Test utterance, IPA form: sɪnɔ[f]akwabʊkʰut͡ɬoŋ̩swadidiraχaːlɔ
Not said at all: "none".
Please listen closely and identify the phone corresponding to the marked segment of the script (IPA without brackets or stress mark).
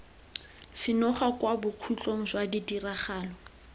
χ